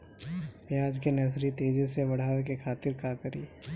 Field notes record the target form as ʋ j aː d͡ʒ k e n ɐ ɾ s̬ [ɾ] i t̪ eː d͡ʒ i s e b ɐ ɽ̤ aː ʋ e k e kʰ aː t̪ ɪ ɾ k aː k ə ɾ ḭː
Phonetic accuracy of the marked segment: correct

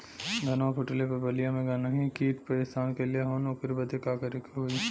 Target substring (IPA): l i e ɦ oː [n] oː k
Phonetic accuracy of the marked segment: correct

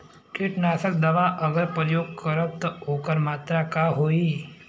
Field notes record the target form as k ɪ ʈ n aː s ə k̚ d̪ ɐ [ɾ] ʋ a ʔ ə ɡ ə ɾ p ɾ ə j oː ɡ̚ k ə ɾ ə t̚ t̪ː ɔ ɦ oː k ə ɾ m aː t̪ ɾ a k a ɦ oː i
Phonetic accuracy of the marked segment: incorrect: none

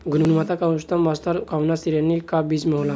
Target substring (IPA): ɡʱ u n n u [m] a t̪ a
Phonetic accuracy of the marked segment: correct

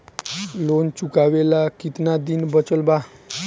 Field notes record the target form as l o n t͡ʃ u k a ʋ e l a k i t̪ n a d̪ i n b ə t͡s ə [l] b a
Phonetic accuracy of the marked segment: correct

